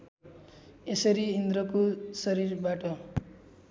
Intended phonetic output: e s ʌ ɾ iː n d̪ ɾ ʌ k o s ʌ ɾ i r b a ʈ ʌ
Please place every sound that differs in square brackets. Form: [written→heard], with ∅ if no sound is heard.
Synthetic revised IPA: e s ʌ ɾ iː n d̪ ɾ ʌ k o s ʌ ɾ i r b a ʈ ʌ